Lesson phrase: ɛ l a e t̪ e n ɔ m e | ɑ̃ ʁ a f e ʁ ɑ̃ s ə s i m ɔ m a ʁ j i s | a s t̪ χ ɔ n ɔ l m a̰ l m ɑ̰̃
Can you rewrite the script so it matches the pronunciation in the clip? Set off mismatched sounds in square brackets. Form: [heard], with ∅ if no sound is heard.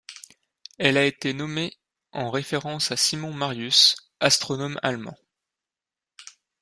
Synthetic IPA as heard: ɛ l a e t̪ e n ɔ m e | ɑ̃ ʁ [e] f e ʁ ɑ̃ s [a] s i m [ɔ̃] m a ʁ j [y] s | a s t̪ χ ɔ n ɔ [∅] m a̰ l m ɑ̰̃

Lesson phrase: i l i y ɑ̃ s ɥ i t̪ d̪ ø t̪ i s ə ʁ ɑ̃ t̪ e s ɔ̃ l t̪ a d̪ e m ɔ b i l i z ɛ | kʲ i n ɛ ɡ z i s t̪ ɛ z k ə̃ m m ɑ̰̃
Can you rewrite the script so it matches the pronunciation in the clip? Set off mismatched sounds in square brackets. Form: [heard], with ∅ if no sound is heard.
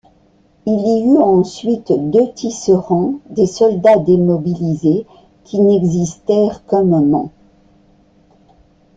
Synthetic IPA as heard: i l i y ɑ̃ s ɥ i t̪ d̪ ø t̪ i s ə ʁ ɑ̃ [d̪] e s [ɔ] l [d̪] a d̪ e m ɔ b i l i z [e] | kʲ i n ɛ ɡ z i s t̪ ɛ [ʁ] k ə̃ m m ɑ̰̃

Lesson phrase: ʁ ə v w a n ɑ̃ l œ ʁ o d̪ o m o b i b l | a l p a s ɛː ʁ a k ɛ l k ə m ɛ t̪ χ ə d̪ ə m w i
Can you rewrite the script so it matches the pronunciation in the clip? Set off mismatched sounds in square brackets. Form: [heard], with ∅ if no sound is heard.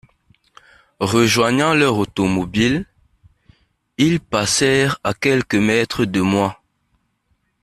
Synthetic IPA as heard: ʁ ə [ʒ] w a [ɲ] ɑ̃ l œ ʁ o [t̪] o m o b i [∅] l | [i] l p a s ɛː ʁ a k ɛ l k ə m ɛ t̪ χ ə d̪ ə m w [a]

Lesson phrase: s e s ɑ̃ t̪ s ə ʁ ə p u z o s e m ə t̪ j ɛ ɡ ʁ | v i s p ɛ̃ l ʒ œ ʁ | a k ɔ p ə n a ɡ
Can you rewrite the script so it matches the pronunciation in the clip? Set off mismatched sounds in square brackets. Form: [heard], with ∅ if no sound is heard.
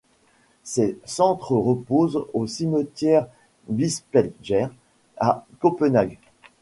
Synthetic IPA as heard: s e s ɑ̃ t̪ [χ] ə ʁ ə p [o] z o s [i] m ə t̪ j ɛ [∅] ʁ | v i s p [ɛ] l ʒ [ɛ] ʁ | a k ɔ p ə n a ɡ

